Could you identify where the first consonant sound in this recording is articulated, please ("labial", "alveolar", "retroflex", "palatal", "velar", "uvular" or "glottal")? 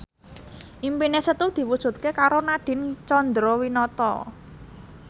glottal